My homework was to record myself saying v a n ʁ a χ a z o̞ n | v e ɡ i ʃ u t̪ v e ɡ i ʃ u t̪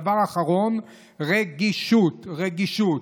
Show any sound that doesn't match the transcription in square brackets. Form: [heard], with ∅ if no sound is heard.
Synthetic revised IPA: v a [∅] ʁ a χ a [ʁ] o̞ n | [ʁ] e ɡ i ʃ u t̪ [ʁ] e ɡ i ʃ u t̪

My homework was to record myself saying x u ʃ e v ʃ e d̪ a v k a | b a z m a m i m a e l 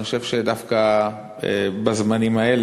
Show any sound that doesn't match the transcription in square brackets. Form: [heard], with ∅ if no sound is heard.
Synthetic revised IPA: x [o] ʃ e v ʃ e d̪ a [f] k a | b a z m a [n] i m a e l

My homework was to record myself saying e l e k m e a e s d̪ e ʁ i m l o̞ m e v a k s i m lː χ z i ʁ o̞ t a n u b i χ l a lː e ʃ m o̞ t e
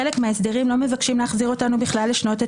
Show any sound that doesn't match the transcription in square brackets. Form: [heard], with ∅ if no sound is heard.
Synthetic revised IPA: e l e k m e a e s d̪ e ʁ i m l o̞ m e v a k [ʃ] i m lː χ z i ʁ o̞ t a n u b i χ l a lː e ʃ [n] o̞ t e

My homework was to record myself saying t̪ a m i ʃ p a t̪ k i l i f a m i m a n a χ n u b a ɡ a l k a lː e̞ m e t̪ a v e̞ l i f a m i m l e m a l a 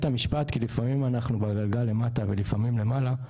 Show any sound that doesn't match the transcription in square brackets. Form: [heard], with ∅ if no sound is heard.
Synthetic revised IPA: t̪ a m i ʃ p a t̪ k i l i f a m i m a n a χ n u b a ɡ a l [ɡ] a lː e̞ m [a] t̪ a v e̞ l i f a m i m l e m a l a

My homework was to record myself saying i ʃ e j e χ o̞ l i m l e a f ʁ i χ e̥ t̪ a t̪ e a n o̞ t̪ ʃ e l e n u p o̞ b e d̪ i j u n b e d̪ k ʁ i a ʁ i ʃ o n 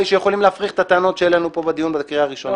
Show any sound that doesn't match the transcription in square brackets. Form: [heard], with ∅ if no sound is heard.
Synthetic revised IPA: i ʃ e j e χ o̞ l i m l e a f ʁ i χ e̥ t̪ a t̪ e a n o̞ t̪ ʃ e l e n u p o̞ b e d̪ i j u n b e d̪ k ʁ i a ʁ i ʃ o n

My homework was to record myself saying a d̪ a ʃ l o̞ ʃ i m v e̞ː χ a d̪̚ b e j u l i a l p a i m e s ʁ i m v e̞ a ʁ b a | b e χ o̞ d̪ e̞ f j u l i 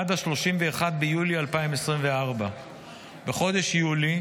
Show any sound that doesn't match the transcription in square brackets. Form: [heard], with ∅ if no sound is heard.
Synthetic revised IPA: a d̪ a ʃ l o̞ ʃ i m v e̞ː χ a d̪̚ b e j u l i a l p a i m e s ʁ i m v e̞ a ʁ b a | b e χ o̞ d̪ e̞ [ʃ] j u l i

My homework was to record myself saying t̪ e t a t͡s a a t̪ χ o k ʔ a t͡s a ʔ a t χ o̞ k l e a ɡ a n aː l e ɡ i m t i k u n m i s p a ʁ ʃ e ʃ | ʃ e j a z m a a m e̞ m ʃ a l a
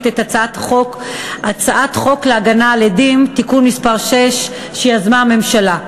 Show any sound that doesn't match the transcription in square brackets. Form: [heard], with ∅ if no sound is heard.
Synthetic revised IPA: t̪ e t a t͡s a a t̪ χ o k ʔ a t͡s a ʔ a t χ o̞ k l e a ɡ a n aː l e [d] i m t i k u n m i s p a ʁ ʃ e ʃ | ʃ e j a z m a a m e̞ m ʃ a l a

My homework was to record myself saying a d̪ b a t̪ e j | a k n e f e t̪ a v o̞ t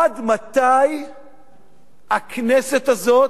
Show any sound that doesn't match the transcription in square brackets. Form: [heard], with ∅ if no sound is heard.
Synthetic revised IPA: a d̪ [m] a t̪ [a] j | a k n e [s] e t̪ a [z] o̞ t

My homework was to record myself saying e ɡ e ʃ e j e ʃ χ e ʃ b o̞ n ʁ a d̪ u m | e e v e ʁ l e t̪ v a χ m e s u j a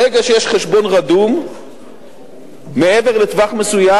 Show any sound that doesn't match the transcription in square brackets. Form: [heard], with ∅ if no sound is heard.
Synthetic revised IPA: e ɡ [a] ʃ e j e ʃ χ e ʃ b o̞ n ʁ a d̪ u m | e e v e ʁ l e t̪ v a χ m e s u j a

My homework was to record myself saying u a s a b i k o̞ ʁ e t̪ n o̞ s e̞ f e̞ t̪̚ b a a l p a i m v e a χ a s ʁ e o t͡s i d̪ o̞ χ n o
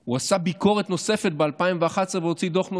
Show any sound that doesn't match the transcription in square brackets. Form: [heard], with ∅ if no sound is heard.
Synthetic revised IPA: u a s a b i k o̞ ʁ e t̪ n o̞ s e̞ f e̞ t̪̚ b [e] a l p a i m v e a χ a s [v] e o t͡s i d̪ o̞ χ n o

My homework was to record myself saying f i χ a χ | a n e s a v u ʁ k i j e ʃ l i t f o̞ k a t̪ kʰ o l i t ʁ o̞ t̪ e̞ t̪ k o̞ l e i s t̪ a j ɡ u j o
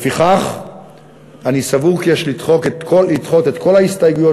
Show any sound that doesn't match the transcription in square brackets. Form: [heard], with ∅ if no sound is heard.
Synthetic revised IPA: f i χ a χ | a n [i] s a v u ʁ k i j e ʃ l i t [χ] o̞ k [e] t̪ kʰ o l i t [χ] o̞ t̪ e̞ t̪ k o̞ l [a] i s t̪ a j ɡ u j o

